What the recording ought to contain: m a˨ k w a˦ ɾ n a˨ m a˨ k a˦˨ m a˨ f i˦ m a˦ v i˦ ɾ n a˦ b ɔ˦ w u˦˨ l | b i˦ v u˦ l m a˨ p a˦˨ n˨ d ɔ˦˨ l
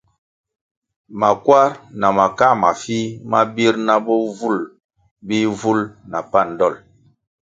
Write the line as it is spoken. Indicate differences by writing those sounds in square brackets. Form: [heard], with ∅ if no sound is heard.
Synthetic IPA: m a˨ k w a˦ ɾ n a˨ m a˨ k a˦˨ m a˨ f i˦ m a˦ [b] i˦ ɾ n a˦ b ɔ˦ [v] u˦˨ l | b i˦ v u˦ l [n] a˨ p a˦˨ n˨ d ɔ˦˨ l